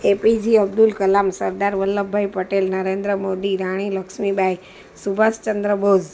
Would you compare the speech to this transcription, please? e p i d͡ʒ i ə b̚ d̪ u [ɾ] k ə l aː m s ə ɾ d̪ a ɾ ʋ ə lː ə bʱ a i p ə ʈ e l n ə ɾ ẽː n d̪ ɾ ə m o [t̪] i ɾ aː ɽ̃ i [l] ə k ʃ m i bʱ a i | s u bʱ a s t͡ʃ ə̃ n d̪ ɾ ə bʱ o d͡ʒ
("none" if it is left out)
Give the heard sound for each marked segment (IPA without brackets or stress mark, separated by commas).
l, d̪, l